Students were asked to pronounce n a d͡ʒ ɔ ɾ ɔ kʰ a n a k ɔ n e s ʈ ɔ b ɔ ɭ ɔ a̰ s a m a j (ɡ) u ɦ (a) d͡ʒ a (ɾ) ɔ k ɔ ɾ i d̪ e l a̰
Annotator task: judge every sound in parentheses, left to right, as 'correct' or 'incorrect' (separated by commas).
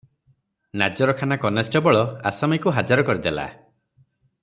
incorrect, correct, correct